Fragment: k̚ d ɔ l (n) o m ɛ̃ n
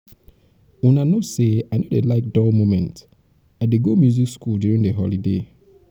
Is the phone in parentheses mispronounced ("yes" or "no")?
yes